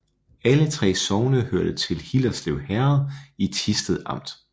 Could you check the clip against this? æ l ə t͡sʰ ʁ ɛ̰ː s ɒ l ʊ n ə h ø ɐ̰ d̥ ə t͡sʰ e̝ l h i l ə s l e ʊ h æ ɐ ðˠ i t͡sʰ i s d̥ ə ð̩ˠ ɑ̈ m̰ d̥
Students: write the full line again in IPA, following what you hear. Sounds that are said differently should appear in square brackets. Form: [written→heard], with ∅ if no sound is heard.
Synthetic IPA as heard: æ l ə t͡sʰ ʁ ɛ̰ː s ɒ [l→∅] ʊ n ə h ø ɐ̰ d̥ ə t͡sʰ e̝ l h i l [ə→ɐ] s l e ʊ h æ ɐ ðˠ i t͡sʰ i s d̥ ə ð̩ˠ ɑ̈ m̰ d̥